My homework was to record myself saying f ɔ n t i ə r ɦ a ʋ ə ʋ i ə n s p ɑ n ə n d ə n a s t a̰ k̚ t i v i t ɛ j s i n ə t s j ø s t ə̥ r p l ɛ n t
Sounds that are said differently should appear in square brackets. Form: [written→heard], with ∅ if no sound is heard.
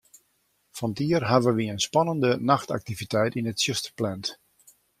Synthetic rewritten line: f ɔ n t i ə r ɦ a ʋ ə ʋ i ə n s p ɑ n ə n d ə n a [s→x] t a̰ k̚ t i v i t ɛ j [s→t] i n ə t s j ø s t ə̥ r p l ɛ n t